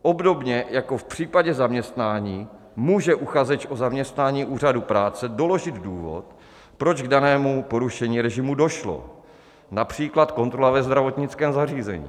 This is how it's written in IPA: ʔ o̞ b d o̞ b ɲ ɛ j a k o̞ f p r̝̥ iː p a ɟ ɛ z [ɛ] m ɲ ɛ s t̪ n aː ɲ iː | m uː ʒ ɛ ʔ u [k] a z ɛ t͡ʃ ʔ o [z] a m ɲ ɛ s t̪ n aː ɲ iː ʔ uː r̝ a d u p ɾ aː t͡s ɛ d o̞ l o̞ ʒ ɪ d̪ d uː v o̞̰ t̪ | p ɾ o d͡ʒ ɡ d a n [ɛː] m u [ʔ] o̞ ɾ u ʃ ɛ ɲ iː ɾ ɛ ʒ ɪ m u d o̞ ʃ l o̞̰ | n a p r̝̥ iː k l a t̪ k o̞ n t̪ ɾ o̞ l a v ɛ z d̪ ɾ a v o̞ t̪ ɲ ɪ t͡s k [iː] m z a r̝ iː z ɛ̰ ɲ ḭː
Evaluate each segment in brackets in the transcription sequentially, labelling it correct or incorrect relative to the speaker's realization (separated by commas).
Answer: incorrect, incorrect, correct, correct, incorrect, incorrect